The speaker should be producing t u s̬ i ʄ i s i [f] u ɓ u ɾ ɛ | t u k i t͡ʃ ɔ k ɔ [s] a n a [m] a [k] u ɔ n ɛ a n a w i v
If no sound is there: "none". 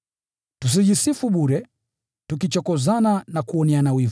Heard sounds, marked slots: f, z, n, k

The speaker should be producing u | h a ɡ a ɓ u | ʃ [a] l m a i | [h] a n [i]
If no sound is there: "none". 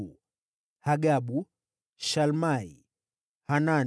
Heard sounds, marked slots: a, h, a

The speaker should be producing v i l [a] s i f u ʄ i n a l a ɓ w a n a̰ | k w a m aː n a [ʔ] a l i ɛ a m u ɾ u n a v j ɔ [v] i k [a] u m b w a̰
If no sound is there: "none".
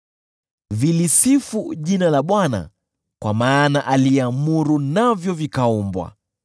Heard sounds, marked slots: i, ʔ, v, a

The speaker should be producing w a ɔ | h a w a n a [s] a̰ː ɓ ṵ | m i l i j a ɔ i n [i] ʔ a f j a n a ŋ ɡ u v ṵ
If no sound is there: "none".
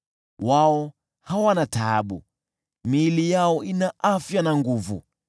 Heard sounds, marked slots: t, a

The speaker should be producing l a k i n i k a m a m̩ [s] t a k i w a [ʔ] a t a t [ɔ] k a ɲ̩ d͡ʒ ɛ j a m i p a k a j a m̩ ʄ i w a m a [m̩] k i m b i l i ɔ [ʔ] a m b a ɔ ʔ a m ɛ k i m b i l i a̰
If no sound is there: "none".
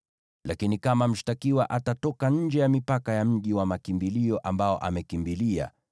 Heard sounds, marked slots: ʃ, ʔ, ɔ, none, ʔ

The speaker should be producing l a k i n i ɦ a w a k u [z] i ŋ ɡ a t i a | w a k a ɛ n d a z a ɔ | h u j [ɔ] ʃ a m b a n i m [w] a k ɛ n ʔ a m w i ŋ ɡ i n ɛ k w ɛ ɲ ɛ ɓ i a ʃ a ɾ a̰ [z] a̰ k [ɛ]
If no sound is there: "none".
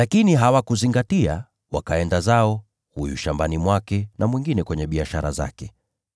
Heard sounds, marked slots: z, u, w, z, ɛ

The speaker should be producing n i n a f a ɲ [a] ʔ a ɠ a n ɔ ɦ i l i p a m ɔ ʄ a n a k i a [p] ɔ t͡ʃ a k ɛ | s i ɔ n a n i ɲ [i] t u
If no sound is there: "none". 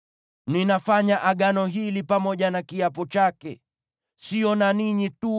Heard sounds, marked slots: a, p, i

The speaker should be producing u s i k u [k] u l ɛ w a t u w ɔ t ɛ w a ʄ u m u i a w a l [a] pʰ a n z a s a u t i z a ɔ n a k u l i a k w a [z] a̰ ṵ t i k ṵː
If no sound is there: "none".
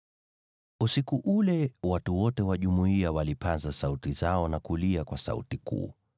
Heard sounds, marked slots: ʔ, i, s

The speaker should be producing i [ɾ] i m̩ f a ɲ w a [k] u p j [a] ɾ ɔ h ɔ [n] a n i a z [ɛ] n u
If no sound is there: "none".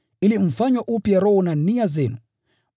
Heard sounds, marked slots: l, ʔ, a, n, ɛ

